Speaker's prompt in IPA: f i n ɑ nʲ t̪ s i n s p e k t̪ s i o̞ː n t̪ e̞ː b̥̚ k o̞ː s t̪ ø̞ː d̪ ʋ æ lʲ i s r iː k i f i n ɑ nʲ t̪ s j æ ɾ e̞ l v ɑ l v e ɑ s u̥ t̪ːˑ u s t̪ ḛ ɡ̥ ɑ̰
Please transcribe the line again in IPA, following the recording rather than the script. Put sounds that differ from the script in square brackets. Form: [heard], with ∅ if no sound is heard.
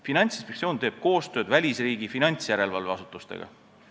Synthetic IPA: f i n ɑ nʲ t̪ s i n s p e k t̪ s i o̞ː n t̪ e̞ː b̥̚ k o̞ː s t̪ ø̞ː d̪ [v] æ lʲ i s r iː [ɡ] i f i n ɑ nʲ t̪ s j æ ɾ e̞ l v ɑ l v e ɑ s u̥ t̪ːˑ u s t̪ ḛ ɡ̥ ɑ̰